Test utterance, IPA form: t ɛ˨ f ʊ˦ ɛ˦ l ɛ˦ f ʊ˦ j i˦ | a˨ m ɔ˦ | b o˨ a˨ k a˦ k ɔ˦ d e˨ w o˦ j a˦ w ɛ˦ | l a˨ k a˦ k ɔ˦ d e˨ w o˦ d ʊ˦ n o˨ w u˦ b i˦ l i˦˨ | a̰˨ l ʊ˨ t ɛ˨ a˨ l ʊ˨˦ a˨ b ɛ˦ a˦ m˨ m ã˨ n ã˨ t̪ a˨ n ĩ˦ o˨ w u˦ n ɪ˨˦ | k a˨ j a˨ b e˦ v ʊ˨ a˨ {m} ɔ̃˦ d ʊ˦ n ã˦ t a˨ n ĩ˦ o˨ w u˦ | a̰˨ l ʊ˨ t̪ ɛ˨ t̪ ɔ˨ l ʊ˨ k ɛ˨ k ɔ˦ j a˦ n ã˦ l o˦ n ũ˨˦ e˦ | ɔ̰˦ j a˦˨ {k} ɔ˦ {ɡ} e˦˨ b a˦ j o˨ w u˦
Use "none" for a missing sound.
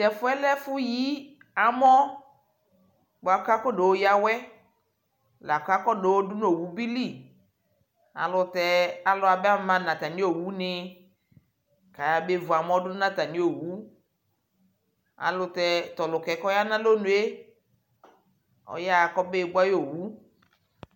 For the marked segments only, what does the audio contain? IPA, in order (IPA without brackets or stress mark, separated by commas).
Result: m, k, b